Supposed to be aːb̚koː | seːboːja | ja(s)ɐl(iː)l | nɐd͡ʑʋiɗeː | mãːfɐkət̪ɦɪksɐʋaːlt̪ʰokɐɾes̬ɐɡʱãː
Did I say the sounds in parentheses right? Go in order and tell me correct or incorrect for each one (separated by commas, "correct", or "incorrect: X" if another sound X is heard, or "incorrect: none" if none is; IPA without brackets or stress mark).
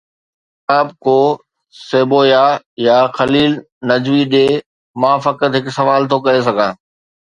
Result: incorrect: x, correct